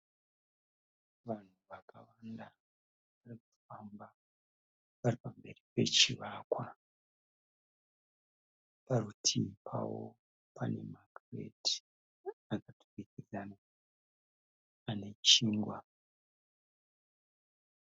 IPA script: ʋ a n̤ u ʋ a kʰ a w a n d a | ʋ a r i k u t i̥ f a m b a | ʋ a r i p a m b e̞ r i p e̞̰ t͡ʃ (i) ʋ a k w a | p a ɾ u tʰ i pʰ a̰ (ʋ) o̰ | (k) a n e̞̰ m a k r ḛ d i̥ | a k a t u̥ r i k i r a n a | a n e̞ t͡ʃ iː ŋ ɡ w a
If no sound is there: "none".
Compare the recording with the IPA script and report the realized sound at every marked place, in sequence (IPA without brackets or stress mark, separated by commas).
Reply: i, w, p